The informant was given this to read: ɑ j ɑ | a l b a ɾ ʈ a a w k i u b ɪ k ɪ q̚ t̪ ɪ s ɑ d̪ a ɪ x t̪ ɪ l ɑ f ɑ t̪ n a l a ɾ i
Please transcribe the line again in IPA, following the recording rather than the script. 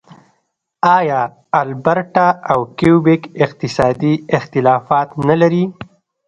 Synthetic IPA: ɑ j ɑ | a l b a ɾ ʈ a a w k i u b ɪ k ɪ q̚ t̪ ɪ s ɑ d̪ i ɪ x t̪ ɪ l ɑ f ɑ t̪ n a l a ɾ i